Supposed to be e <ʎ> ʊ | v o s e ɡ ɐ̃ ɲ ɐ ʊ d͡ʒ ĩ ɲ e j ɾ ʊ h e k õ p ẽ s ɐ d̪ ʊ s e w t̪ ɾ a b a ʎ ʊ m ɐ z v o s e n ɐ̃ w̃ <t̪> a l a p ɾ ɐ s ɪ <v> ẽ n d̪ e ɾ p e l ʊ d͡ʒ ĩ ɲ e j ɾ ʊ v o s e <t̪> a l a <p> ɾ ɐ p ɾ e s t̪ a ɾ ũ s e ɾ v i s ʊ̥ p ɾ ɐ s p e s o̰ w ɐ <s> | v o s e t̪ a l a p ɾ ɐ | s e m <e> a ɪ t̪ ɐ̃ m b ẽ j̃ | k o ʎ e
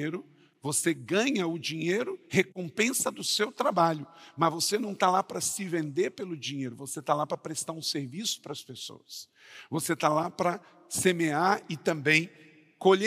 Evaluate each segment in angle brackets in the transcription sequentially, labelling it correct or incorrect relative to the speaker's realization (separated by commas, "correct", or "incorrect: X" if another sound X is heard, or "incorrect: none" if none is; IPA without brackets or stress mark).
incorrect: ɾ, correct, correct, correct, correct, correct, correct